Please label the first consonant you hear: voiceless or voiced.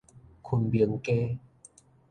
voiceless